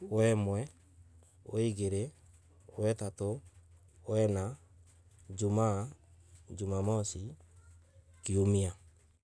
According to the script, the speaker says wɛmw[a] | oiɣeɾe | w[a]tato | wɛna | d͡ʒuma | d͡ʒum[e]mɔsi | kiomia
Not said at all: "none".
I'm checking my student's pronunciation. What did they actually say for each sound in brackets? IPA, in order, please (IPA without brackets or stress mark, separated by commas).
ɛ, ɛ, a